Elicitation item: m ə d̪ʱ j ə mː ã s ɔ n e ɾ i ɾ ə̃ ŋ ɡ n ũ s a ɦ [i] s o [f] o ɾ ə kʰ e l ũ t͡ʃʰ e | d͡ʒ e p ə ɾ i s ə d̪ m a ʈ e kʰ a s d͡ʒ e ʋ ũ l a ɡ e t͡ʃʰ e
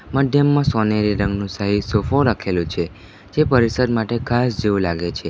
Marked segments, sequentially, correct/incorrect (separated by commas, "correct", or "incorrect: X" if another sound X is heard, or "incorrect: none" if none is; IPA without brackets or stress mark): correct, correct